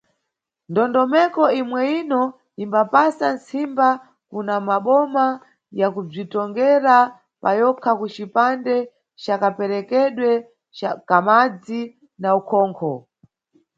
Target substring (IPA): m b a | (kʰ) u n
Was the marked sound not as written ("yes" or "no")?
yes